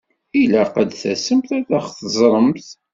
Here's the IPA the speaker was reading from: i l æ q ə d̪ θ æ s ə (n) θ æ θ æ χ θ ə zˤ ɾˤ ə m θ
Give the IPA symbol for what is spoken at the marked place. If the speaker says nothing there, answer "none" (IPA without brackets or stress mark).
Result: m